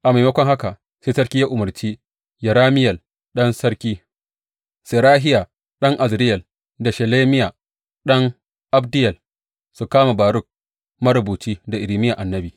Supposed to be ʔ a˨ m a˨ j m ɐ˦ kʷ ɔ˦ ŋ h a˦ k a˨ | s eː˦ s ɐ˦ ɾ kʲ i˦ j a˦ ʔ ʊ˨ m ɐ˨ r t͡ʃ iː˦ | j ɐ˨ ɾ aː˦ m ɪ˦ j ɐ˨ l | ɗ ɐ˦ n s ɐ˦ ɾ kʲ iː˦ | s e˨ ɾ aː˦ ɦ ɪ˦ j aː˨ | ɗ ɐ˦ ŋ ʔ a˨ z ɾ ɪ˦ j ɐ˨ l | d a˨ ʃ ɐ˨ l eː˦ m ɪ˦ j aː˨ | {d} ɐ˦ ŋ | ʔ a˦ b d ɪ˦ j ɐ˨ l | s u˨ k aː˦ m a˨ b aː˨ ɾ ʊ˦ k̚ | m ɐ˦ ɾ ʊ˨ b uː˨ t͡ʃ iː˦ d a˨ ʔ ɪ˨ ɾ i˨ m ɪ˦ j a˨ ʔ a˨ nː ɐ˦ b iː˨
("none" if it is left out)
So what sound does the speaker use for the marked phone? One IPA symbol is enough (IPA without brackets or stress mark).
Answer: ɗ